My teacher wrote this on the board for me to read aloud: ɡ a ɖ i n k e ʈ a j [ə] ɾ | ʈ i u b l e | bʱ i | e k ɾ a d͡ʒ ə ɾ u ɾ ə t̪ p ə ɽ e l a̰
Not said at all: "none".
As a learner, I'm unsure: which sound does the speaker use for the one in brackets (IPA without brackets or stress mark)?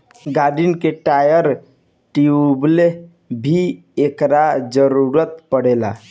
ə